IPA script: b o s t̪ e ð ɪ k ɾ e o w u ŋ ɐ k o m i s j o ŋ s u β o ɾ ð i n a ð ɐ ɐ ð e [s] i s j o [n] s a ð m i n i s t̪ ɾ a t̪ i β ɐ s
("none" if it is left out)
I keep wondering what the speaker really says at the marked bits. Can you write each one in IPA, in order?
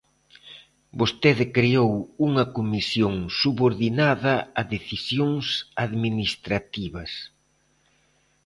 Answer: θ, ŋ

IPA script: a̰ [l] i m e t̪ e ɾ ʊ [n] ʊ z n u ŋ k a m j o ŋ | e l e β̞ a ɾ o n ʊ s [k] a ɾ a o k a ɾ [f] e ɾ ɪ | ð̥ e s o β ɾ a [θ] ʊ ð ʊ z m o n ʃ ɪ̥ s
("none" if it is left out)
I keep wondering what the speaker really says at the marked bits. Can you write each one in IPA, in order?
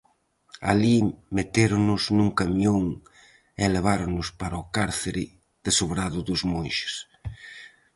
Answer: l, n, p, θ, ð

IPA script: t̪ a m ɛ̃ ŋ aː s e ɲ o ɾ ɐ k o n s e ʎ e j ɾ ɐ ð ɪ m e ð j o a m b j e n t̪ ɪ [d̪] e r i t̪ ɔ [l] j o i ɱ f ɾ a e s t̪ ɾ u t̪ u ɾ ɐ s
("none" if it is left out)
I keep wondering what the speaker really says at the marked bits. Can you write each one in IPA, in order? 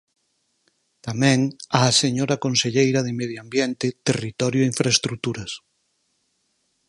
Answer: t̪, ɾ

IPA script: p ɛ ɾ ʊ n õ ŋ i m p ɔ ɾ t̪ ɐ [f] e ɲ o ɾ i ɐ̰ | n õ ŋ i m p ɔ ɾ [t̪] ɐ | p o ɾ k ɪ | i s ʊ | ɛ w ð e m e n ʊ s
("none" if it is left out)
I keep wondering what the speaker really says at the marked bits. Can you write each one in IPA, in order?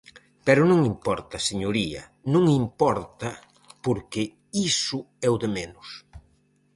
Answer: s, t̪

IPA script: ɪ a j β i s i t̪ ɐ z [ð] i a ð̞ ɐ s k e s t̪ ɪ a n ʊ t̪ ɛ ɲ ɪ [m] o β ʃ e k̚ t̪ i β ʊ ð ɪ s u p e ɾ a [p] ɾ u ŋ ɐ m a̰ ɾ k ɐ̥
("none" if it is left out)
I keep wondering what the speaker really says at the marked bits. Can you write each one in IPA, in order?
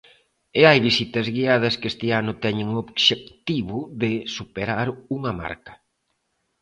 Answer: ɣ, ŋ, none

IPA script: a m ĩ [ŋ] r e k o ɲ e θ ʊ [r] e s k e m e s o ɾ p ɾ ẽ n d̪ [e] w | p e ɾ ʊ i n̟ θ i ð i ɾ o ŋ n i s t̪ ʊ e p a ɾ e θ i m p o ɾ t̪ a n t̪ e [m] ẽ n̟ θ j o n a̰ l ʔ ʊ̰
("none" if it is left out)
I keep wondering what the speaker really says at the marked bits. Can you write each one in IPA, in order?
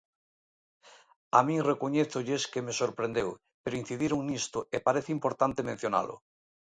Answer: ŋ, ʎ, e, m

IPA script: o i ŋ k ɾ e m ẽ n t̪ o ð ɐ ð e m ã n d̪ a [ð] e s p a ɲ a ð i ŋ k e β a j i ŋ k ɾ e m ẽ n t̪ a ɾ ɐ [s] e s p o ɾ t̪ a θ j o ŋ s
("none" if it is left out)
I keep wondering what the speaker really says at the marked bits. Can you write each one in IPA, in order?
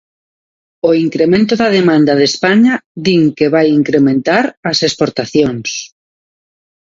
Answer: ð, s

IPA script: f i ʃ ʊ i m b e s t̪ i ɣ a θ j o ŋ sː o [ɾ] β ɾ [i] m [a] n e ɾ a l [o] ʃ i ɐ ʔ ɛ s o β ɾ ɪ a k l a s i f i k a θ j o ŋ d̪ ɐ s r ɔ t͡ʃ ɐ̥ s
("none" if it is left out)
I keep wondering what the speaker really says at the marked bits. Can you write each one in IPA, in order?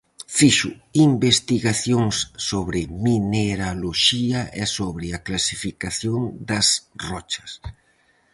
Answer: none, ɪ, i, o

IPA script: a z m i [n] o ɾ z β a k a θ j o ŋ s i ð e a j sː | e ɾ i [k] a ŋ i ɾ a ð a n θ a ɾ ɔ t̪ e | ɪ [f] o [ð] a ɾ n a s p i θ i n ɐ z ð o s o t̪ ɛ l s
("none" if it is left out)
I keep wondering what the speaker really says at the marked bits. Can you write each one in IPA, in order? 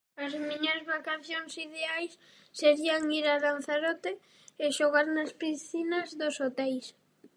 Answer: ɲ, none, ʃ, ɣ

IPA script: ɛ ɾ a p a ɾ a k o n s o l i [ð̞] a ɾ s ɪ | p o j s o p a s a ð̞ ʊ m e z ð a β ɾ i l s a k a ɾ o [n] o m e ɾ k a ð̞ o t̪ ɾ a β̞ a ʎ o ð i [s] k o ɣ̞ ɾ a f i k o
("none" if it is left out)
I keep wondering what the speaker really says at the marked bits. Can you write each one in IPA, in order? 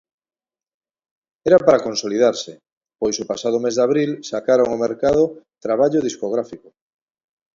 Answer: ð̞, ŋ, s

